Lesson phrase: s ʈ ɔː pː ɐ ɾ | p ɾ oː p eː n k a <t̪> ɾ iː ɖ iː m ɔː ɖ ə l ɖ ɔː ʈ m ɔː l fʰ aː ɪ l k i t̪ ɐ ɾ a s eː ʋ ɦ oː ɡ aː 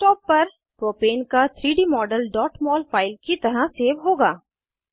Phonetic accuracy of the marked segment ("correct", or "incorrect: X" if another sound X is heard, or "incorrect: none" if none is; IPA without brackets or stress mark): incorrect: t̪ʰ